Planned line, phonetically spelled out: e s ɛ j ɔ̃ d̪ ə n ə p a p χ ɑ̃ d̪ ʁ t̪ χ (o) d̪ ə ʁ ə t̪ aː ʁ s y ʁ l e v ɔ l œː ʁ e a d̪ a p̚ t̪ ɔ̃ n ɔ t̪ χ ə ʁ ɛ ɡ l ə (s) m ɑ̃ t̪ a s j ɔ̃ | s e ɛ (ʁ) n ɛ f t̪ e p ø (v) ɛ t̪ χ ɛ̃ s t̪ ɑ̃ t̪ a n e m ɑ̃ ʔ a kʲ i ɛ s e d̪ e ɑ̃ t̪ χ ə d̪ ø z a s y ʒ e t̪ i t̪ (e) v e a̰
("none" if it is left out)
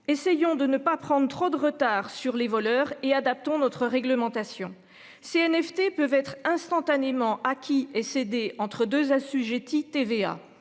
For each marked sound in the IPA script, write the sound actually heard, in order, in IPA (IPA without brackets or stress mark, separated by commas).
o, none, none, v, e